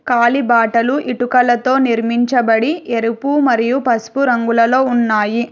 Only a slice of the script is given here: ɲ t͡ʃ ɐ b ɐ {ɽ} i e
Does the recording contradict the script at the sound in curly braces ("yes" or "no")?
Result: no